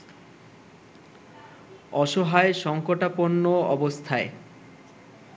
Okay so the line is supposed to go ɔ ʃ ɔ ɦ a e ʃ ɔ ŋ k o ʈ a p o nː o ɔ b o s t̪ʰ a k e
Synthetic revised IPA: ɔ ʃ o ɦ a e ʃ ɔ ŋ k o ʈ a p o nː o ɔ b o s t̪ʰ a e